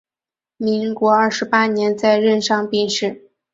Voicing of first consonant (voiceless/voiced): voiced